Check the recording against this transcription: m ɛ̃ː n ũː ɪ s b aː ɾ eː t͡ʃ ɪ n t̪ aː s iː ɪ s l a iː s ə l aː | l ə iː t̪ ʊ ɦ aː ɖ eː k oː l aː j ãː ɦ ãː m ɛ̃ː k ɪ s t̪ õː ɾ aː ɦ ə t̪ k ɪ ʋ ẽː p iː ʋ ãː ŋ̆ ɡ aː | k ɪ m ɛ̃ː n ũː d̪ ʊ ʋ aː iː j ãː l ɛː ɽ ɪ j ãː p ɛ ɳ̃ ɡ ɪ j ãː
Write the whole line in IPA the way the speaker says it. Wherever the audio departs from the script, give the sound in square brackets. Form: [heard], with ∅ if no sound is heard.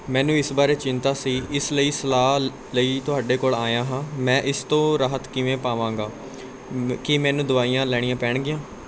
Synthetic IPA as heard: m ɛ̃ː n ũː ɪ s b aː ɾ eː t͡ʃ ɪ n t̪ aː s iː ɪ s l [ə] iː s ə l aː | l ə iː t̪ ʊ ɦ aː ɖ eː k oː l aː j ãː ɦ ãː m ɛ̃ː [ʔ] ɪ s t̪ õː ɾ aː ɦ ə t̪ k ɪ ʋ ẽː p [aː] ʋ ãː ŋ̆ ɡ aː | k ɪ m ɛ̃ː n ũː d̪ ʊ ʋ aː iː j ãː l ɛː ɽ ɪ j ãː p [ɛː] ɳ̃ ɡ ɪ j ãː

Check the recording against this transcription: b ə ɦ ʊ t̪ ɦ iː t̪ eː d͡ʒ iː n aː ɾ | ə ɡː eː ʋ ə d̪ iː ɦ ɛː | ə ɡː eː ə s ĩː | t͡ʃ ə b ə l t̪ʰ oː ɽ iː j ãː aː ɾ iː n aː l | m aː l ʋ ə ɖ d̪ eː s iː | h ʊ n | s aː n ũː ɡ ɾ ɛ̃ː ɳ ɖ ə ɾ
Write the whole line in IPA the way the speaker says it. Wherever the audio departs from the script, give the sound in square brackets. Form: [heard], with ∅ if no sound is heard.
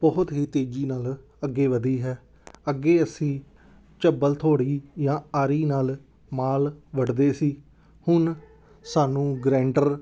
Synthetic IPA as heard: b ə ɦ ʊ t̪ ɦ iː t̪ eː d͡ʒ iː n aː [l] | ə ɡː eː ʋ ə d̪ iː ɦ ɛː | ə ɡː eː ə s ĩː | t͡ʃ ə b ə l t̪ʰ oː ɽ iː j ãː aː ɾ iː n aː l | m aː l ʋ ə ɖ d̪ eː s iː | h ʊ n | s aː n ũː ɡ ɾ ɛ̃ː ɳ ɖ ə ɾ

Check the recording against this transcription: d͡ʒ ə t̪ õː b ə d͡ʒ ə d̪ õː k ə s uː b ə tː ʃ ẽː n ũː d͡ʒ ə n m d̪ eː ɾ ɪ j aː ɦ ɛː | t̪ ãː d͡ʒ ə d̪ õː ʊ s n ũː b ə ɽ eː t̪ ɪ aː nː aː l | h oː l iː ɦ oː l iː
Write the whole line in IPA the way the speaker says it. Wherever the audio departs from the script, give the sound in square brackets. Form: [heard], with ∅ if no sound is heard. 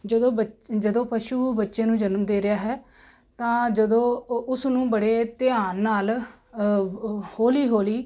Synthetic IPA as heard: d͡ʒ ə [d̪] õː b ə d͡ʒ ə d̪ õː [p] ə [ʃ] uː b ə tː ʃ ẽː n ũː d͡ʒ ə n m d̪ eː ɾ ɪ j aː ɦ ɛː | t̪ ãː d͡ʒ ə d̪ õː ʊ s n ũː b ə ɽ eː t̪ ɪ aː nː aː l | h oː l iː ɦ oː l iː

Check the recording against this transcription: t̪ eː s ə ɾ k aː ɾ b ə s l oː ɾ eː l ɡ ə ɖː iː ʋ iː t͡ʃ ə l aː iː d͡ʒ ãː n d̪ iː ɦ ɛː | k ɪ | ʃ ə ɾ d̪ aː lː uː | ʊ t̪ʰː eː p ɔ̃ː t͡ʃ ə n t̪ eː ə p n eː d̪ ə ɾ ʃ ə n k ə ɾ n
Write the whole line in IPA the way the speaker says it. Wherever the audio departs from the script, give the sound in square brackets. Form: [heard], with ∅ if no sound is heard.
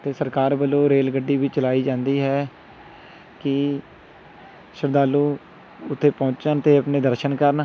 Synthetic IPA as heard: t̪ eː s ə ɾ k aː ɾ b ə [∅] l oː ɾ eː l ɡ ə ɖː iː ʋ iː t͡ʃ ə l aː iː d͡ʒ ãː n d̪ iː ɦ ɛː | k ɪ | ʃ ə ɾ d̪ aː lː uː | ʊ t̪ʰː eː p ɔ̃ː t͡ʃ ə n t̪ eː ə p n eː d̪ ə ɾ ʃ ə n k ə ɾ n

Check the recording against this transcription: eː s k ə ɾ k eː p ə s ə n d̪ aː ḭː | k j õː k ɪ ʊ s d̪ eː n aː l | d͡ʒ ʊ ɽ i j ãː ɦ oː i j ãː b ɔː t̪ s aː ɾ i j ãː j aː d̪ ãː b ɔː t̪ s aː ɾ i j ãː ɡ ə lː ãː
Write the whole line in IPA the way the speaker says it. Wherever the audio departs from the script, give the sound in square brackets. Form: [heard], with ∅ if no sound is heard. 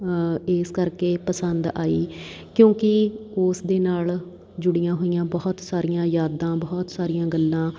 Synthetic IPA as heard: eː s k ə ɾ k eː p ə s ə n d̪ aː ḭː | k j õː k ɪ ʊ s d̪ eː n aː l | d͡ʒ ʊ ɽ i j ãː ɦ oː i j ãː b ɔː t̪ s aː ɾ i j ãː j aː d̪ ãː b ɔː t̪ s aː ɾ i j ãː ɡ ə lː ãː

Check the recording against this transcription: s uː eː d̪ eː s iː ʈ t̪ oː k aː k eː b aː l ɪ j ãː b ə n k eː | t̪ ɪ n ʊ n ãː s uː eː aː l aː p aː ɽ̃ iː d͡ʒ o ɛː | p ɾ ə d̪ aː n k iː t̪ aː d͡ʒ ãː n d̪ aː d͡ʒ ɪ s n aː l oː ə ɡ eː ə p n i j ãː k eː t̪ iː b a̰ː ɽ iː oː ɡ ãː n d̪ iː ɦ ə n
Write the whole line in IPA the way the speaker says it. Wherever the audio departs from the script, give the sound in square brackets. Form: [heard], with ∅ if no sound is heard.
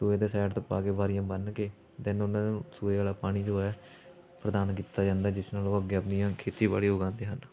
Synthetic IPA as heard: s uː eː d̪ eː s [ɛː] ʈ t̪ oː [p] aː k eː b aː [ɾ] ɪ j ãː b ə n k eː | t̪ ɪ n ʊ n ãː s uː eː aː l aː p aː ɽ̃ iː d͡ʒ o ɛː | p ɾ ə d̪ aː n k iː t̪ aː d͡ʒ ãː n d̪ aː d͡ʒ ɪ s n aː l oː ə ɡ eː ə p n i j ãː [kʰ] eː t̪ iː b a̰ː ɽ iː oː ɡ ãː n d̪ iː ɦ ə n

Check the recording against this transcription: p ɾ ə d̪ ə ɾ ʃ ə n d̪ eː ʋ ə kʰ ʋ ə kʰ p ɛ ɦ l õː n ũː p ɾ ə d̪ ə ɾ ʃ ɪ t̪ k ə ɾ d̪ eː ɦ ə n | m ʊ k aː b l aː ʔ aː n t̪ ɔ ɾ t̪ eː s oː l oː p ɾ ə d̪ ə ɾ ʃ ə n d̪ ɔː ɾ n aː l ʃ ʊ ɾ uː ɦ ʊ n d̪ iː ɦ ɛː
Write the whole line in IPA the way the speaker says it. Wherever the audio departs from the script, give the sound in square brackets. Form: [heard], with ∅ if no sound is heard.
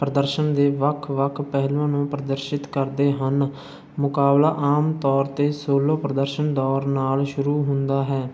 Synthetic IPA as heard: p ɾ ə d̪ ə ɾ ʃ ə n d̪ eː ʋ ə kʰ ʋ ə kʰ p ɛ ɦ l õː n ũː p ɾ ə d̪ ə ɾ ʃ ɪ t̪ k ə ɾ d̪ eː ɦ ə n | m ʊ k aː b l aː ʔ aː [m] t̪ [ɔː] ɾ t̪ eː s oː l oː p ɾ ə d̪ ə ɾ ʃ ə n d̪ ɔː ɾ n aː l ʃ ʊ ɾ uː ɦ ʊ n d̪ [aː] ɦ ɛː

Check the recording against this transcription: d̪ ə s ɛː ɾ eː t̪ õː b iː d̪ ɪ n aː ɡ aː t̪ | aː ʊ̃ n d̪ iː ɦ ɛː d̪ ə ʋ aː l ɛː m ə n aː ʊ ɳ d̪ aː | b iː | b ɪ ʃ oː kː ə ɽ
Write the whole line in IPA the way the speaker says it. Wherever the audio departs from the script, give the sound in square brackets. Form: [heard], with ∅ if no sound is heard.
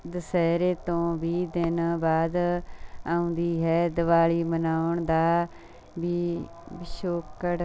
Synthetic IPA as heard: d̪ ə s ɛː ɾ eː t̪ õː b iː d̪ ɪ n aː [b] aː [d̪] | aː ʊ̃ n d̪ iː ɦ ɛː d̪ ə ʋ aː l [iː] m ə n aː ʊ ɳ d̪ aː | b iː | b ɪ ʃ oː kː ə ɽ

